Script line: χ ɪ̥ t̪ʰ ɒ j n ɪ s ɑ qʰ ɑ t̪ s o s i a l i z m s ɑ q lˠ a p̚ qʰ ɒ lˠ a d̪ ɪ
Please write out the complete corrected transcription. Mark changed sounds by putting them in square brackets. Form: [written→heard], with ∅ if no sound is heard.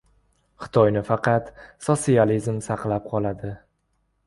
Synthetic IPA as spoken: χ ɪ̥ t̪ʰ ɒ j n ɪ [s→f] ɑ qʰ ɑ t̪ s o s i a l i z m s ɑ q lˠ a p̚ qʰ ɒ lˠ a d̪ ɪ

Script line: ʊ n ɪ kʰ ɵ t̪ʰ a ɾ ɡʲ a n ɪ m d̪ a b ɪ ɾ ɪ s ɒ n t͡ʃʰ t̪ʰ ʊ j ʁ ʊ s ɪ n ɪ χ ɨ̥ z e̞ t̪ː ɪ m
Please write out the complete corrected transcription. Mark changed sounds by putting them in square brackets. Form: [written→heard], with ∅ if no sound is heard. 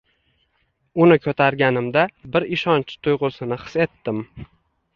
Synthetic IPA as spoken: ʊ n ɪ kʰ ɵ t̪ʰ a ɾ ɡʲ a n ɪ m d̪ a b ɪ ɾ ɪ [s→ʃ] ɒ n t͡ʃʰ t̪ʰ ʊ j ʁ ʊ s ɪ n ɪ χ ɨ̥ [z→s] e̞ t̪ː ɪ m

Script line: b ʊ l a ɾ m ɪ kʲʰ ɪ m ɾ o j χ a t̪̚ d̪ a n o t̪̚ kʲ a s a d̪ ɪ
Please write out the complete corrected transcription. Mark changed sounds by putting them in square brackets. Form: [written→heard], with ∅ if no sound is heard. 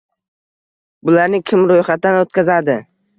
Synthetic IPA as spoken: b ʊ l a ɾ [m→n] ɪ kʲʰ ɪ m ɾ o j χ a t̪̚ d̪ a n o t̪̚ kʲ a [s→z] a d̪ ɪ

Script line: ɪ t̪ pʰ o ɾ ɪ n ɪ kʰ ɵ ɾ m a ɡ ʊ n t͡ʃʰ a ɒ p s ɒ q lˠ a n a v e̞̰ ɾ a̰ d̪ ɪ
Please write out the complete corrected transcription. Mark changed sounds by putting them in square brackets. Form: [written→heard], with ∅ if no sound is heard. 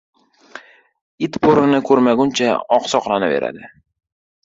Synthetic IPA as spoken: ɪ t̪ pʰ o ɾ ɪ n ɪ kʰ ɵ ɾ m a ɡ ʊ n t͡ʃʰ a ɒ [p→q] s ɒ q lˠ a n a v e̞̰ ɾ a̰ d̪ ɪ

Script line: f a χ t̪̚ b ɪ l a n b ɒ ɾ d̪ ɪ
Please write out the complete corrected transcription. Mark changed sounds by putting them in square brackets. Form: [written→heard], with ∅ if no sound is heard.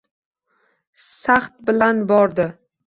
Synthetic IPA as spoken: [f→s] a χ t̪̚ b ɪ l a n b ɒ ɾ d̪ ɪ

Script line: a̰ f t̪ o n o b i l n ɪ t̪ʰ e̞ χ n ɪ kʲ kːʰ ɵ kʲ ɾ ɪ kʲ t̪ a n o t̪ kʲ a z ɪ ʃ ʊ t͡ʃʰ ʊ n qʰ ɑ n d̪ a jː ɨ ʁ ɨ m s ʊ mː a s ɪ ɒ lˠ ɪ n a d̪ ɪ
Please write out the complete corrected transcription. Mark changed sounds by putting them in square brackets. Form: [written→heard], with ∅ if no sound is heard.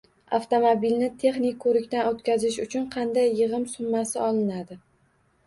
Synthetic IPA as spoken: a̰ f t̪ o [n→m] o b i l n ɪ t̪ʰ e̞ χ n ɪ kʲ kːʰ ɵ [kʲ→∅] ɾ ɪ kʲ t̪ a n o t̪ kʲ a z ɪ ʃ ʊ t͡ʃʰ ʊ n qʰ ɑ n d̪ a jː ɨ ʁ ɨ m s ʊ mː a s ɪ ɒ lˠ ɪ n a d̪ ɪ

